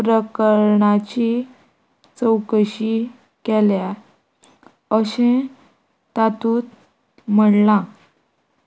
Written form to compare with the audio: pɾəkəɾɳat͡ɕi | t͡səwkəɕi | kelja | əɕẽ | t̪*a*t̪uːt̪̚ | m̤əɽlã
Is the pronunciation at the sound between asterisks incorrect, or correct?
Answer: correct